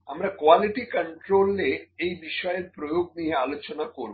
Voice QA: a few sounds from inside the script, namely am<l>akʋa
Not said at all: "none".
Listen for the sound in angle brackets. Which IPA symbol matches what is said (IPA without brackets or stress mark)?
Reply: ɾ